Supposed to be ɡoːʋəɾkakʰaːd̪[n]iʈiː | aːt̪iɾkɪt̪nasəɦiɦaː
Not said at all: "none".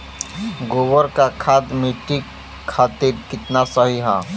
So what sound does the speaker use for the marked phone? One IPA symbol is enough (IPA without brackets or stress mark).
m